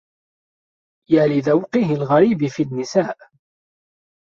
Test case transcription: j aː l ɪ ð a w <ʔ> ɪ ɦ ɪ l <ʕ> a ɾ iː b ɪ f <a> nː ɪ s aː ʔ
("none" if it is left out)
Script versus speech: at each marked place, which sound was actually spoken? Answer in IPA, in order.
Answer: q, ɣ, i

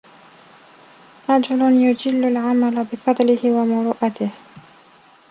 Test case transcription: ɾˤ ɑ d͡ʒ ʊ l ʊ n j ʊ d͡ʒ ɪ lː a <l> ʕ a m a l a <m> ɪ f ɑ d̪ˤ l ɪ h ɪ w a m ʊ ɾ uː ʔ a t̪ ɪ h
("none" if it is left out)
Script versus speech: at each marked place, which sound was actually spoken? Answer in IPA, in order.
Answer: l, b

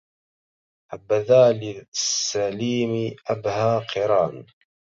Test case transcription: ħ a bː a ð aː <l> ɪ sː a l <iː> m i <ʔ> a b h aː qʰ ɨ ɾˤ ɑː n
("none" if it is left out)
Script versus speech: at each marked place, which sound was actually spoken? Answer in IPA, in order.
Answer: l, iː, ʔ

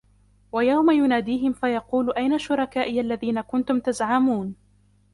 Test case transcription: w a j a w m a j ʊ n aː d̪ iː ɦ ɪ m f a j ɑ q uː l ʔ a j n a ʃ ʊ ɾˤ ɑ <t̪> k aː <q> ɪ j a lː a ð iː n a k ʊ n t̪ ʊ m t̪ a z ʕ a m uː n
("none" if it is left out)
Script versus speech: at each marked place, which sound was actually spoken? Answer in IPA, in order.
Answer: none, ʔ

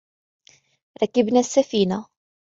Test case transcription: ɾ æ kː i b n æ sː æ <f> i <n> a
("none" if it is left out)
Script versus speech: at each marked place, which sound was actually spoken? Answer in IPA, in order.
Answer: f, n

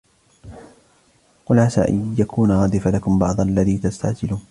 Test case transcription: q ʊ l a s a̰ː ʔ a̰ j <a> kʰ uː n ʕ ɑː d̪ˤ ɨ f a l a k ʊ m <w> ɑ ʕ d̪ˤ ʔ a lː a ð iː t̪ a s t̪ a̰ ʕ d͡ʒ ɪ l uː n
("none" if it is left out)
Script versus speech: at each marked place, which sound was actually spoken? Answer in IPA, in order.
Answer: a, b

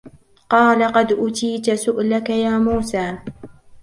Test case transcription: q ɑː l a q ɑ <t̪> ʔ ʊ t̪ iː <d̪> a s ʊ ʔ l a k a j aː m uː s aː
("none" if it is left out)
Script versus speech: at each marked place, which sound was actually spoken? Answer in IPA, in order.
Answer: d̪, t̪

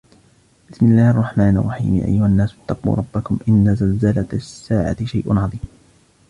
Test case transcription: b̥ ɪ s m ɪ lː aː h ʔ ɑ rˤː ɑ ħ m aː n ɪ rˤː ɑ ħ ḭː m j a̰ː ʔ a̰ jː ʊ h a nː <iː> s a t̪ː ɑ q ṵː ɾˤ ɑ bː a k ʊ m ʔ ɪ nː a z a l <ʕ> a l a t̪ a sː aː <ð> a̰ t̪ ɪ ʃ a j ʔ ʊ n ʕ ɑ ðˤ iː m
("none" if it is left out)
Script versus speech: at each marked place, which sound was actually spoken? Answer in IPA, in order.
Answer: aː, z, ʕ

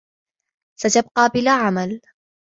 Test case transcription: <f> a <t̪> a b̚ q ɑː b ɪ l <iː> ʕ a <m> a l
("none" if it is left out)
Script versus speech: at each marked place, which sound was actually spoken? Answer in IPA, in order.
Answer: s, t̪, aː, m

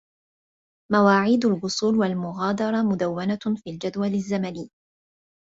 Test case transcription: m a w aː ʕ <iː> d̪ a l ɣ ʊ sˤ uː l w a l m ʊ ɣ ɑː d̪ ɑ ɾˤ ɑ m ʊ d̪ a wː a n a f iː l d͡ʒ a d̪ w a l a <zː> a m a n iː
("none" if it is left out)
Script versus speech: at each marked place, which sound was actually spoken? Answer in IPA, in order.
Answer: iː, zː

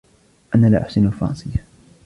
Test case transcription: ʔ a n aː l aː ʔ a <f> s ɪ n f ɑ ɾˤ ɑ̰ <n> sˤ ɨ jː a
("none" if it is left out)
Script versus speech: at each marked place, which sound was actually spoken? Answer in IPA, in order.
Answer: ħ, n

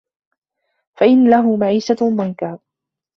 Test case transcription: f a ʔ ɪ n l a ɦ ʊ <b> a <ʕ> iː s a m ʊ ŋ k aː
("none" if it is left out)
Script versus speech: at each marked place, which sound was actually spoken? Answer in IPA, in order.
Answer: m, ʕ

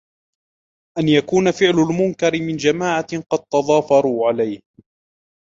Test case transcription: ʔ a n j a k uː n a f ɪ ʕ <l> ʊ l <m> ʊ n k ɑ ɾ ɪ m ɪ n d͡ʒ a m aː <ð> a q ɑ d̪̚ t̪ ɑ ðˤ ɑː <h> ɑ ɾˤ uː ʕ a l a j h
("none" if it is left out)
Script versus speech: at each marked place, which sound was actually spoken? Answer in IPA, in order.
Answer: l, m, ʕ, f

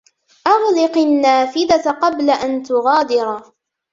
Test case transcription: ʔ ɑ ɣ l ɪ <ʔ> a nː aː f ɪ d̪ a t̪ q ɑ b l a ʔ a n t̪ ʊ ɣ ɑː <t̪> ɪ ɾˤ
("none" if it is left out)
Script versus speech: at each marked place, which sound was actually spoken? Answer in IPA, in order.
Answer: q, d̪

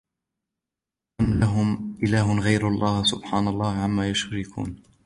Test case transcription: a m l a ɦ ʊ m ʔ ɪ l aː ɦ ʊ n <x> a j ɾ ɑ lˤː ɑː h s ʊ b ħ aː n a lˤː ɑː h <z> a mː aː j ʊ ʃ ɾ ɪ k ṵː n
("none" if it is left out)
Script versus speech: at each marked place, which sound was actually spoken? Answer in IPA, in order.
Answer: ɣ, ʕ

